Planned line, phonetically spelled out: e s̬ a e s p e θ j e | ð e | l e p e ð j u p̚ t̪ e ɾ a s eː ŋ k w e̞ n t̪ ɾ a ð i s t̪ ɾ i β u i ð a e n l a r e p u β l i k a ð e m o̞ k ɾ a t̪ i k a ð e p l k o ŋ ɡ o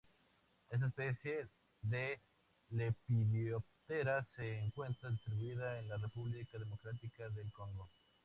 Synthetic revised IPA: e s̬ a e s p e θ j e | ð e | l e p i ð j o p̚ t̪ e ɾ a s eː ŋ k w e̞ n t̪ ɾ a ð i s t̪ ɾ i β u i ð a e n l a r e p u β l i k a ð e m o̞ k ɾ a t̪ i k a ð e l k o ŋ ɡ o